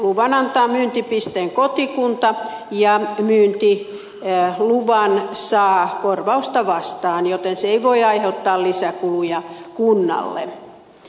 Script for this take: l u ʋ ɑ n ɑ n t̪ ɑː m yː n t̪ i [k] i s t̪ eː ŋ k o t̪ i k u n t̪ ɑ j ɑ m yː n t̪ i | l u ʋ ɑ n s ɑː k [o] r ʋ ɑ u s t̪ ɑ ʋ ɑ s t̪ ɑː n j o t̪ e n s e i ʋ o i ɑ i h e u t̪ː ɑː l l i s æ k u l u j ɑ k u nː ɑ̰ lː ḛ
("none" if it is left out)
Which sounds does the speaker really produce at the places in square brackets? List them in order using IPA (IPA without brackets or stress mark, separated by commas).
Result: p, o